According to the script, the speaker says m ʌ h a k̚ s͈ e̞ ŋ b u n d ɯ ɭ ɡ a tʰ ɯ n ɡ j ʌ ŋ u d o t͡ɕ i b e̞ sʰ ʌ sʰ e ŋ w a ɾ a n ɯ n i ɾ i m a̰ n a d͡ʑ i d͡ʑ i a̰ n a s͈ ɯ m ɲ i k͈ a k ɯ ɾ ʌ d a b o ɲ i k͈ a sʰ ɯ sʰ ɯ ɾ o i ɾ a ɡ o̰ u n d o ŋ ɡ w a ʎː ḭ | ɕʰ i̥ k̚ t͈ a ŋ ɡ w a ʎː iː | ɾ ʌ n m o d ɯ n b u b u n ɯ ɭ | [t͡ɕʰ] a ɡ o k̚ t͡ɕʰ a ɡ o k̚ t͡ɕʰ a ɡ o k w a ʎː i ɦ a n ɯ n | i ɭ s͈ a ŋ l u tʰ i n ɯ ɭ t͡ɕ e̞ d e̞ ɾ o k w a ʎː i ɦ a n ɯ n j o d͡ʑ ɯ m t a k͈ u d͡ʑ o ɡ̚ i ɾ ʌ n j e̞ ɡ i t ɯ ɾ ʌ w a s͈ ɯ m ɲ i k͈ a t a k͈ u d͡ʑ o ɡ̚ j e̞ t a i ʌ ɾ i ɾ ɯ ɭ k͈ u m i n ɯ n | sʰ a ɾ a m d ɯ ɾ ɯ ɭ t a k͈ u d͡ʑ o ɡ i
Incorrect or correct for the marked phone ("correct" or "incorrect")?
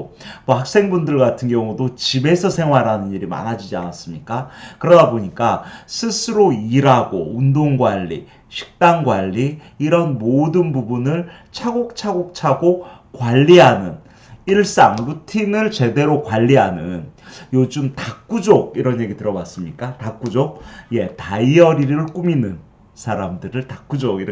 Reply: correct